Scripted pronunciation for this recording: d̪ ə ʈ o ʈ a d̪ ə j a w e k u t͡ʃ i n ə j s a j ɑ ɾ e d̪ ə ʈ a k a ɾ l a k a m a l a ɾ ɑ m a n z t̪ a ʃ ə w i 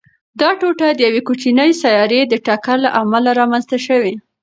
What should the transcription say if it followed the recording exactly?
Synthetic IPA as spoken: d̪ ɑ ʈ o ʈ a d̪ ə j a w e k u t͡ʃ i n ə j s a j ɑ ɾ e d̪ ə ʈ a k a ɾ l a ʔ a m a l a ɾ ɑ m a n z t̪ a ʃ ə w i